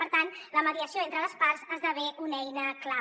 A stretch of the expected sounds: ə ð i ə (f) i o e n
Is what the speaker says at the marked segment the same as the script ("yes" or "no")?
no